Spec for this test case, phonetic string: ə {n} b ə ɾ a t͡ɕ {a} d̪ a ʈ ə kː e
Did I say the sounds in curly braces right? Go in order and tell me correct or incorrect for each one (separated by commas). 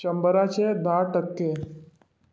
incorrect, incorrect